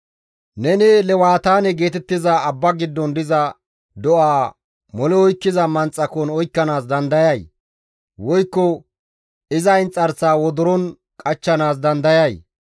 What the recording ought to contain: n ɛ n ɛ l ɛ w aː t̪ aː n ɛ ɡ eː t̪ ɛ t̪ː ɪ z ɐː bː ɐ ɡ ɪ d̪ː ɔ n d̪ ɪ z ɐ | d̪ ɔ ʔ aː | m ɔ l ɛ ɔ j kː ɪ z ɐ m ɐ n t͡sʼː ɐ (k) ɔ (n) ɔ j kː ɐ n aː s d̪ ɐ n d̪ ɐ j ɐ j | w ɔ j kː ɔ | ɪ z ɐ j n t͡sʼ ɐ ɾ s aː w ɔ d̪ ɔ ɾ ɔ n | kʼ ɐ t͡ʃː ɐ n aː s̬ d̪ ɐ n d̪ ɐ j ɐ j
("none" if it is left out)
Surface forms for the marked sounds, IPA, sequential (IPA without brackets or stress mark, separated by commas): k, n